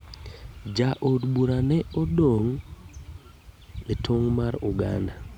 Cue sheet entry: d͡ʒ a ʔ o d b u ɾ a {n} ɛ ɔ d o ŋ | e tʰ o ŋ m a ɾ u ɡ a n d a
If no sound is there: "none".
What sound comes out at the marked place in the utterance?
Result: n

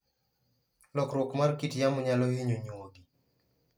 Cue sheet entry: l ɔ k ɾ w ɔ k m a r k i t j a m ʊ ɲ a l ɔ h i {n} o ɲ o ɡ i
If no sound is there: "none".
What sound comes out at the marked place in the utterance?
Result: ɲ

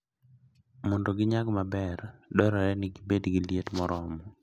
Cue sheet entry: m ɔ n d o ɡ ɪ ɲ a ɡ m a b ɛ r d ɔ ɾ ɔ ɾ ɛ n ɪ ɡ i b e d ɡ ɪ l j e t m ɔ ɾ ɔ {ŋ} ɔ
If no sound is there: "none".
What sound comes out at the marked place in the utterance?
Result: m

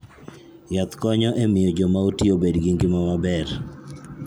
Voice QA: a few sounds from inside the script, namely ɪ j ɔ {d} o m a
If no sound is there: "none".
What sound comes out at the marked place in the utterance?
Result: d͡ʒ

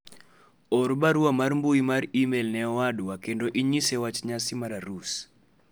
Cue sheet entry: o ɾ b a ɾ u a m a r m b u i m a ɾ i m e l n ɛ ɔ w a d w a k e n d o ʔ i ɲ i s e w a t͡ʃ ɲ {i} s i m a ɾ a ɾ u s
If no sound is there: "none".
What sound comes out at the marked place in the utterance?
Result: a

